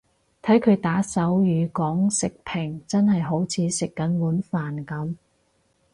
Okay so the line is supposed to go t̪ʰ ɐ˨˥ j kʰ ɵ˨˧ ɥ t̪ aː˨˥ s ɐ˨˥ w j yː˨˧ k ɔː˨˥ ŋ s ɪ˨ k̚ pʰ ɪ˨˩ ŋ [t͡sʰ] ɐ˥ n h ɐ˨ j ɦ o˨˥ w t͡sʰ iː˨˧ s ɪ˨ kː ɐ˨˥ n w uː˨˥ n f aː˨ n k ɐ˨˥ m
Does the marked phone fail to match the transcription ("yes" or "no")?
yes